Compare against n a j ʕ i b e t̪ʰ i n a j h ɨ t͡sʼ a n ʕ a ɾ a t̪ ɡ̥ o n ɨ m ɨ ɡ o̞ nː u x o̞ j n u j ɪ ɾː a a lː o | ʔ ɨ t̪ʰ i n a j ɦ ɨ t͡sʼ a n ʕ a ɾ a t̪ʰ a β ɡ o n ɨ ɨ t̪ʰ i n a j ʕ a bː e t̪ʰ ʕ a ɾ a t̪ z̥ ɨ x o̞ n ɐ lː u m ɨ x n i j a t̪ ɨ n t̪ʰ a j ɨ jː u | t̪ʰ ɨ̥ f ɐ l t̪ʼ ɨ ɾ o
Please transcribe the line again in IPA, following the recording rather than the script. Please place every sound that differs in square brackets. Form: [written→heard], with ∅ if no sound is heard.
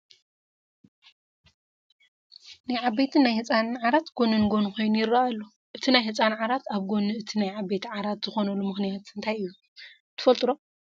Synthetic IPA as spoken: n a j ʕ [i→a] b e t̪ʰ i n a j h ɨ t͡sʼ a n ʕ a ɾ a t̪ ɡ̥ o n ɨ [m→n] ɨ ɡ o̞ [nː→n] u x o̞ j n u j ɪ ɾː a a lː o | ʔ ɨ t̪ʰ i n a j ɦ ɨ t͡sʼ a n ʕ a ɾ a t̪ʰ a β ɡ o n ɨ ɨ t̪ʰ i n a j ʕ a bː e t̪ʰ ʕ a ɾ a t̪ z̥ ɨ x o̞ n ɐ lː u m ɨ x n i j a t̪ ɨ n t̪ʰ a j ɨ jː u | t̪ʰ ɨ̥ f ɐ l t̪ʼ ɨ ɾ o